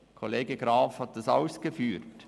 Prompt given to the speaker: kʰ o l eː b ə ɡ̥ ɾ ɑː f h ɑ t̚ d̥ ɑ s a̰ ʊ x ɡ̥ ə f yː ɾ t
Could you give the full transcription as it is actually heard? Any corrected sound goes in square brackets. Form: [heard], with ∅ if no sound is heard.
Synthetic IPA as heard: kʰ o l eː [ɡ] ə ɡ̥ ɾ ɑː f h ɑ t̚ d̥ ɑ s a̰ ʊ [s] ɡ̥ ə f yː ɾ t